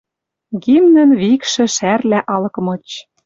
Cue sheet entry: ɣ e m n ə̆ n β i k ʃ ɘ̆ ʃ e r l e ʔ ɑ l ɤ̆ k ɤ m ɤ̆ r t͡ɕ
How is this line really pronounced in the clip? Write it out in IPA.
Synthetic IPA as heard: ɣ i m n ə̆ n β i k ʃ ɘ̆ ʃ æ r l æ ʔ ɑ l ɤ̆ k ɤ m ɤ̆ t͡ɕ